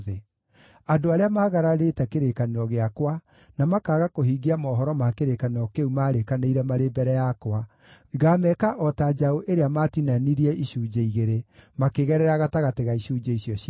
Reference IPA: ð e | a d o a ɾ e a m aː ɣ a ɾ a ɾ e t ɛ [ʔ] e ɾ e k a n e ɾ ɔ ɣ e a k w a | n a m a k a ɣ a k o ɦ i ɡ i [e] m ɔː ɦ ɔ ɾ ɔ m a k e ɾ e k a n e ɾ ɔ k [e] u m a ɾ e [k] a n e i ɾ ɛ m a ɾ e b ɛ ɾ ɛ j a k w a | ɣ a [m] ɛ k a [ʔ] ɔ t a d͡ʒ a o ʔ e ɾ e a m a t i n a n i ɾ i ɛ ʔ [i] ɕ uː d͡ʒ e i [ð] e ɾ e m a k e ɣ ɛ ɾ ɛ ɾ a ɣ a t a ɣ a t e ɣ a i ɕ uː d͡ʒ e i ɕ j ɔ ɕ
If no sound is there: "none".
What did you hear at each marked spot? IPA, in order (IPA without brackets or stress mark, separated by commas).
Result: k, a, e, k, m, ʔ, i, ɣ